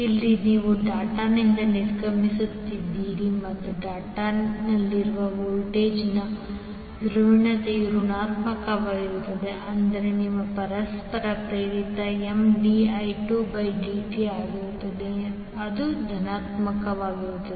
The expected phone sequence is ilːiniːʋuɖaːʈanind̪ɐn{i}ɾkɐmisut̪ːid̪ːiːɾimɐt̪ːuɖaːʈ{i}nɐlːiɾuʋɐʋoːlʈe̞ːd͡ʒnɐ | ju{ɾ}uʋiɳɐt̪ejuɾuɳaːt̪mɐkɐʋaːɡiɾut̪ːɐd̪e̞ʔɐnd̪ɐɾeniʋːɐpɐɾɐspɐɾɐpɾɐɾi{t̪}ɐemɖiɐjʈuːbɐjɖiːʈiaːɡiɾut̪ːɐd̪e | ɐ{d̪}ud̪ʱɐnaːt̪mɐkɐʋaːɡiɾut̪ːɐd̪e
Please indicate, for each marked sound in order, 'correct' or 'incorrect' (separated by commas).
correct, incorrect, correct, correct, correct